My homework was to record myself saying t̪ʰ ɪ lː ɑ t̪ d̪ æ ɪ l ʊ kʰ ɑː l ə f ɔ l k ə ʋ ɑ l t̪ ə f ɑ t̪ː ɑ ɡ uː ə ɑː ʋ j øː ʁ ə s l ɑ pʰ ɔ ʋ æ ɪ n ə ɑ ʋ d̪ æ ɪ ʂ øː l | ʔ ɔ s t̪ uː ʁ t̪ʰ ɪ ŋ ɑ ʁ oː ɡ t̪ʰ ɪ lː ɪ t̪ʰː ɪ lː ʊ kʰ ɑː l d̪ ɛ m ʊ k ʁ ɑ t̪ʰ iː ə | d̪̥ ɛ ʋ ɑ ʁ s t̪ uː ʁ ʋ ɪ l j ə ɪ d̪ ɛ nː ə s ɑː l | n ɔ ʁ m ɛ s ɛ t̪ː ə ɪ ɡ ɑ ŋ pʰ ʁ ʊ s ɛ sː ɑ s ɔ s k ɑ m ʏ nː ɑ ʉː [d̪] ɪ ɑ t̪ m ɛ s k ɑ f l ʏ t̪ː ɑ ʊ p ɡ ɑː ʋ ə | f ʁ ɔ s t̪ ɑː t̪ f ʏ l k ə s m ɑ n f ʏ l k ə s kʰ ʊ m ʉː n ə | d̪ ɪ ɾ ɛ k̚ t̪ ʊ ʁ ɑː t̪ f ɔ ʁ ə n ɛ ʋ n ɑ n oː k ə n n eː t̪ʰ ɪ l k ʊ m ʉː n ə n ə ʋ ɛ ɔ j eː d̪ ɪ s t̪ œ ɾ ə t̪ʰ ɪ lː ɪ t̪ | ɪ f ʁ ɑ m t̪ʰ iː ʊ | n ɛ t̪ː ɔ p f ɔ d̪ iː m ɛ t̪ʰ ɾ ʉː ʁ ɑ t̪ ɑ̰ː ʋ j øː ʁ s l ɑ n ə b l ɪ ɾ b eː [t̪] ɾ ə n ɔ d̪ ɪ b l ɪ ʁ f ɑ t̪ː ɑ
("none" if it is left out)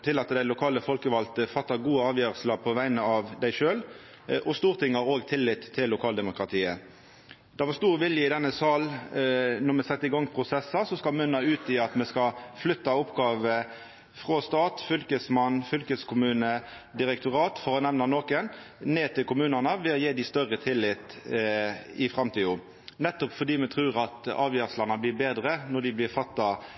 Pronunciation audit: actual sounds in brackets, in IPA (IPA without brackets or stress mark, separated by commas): t̪, d̪